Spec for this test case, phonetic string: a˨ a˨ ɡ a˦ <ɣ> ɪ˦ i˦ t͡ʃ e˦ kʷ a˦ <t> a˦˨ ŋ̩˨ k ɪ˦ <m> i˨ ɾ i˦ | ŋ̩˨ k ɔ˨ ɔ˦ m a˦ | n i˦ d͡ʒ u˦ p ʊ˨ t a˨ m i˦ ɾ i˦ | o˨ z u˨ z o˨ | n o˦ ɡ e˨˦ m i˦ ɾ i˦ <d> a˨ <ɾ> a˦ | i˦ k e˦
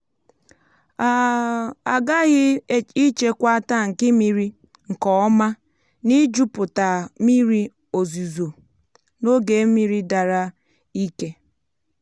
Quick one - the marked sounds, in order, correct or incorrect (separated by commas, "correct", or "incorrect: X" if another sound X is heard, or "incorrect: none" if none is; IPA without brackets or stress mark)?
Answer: correct, correct, correct, correct, correct